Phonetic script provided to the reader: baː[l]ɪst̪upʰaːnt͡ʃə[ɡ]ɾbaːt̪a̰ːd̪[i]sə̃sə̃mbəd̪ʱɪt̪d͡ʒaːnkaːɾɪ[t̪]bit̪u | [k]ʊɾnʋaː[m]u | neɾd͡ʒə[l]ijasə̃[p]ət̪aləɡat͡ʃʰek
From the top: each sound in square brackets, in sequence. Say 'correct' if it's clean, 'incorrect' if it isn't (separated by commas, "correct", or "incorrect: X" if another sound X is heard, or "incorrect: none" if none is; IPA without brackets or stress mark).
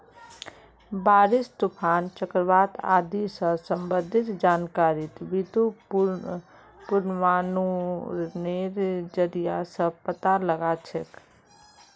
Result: incorrect: ɾ, incorrect: k, correct, correct, incorrect: p, incorrect: n, incorrect: ɾ, correct